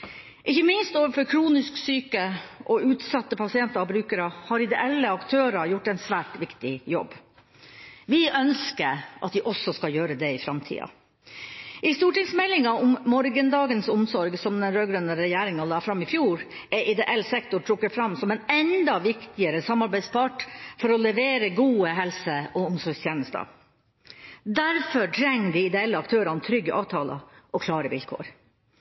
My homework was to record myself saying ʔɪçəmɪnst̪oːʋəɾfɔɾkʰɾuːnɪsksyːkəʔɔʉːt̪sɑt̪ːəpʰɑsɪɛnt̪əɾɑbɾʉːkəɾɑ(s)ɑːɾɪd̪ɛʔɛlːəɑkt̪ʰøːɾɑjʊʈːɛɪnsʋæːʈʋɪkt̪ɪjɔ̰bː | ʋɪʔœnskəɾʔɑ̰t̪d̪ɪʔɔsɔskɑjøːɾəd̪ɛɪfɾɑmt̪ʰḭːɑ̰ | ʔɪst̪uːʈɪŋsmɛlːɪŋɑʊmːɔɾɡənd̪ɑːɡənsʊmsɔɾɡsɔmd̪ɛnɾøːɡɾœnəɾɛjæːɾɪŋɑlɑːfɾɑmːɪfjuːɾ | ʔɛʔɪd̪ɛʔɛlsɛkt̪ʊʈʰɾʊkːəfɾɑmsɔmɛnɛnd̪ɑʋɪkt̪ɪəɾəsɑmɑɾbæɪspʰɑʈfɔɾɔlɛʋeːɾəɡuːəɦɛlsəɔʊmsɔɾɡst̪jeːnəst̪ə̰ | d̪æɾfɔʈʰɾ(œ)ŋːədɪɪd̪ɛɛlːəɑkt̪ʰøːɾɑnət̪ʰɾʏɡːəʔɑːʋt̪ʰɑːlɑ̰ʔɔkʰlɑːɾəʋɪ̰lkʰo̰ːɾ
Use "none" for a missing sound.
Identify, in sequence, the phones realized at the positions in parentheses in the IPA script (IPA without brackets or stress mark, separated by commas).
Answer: h, ɛ